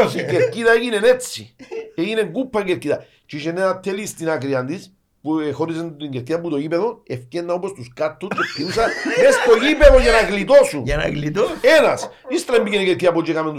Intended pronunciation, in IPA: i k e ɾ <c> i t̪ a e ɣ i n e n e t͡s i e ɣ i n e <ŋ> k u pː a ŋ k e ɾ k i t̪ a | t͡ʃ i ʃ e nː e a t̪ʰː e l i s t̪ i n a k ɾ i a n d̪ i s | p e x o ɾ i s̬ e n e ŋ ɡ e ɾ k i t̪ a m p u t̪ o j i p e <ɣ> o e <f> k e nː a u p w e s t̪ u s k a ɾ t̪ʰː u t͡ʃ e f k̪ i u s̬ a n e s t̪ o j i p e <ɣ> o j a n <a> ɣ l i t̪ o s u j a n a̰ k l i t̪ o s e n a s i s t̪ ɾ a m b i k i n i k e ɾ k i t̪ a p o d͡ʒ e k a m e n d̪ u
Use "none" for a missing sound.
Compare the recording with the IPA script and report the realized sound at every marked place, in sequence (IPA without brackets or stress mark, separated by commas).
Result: k, ŋ, ð, f, ð, a